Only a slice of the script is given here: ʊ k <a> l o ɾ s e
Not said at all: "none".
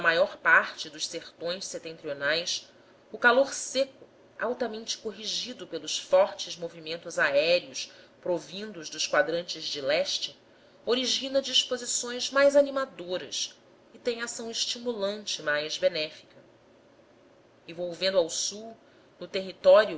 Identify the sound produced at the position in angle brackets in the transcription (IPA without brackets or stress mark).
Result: a